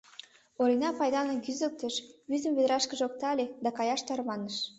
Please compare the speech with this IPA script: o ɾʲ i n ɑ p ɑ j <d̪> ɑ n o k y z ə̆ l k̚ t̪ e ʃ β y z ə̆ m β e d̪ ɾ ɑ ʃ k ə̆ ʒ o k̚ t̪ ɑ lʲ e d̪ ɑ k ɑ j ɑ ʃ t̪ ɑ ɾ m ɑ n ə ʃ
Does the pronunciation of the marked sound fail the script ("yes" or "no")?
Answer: no